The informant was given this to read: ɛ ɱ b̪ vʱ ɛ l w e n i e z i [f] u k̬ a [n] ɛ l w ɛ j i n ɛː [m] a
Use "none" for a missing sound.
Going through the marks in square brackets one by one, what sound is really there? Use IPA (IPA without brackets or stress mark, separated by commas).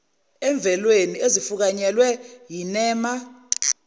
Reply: f, ɲ, m